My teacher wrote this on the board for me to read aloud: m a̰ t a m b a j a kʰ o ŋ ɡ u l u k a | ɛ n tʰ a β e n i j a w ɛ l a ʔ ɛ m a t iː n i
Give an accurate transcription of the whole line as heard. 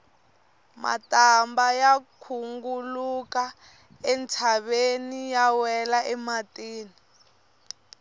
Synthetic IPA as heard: m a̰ t a m b a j a kʰ u ŋ ɡ u l u k a | ɛ n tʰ a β e n i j a w ɛ l a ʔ ɛ m a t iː n i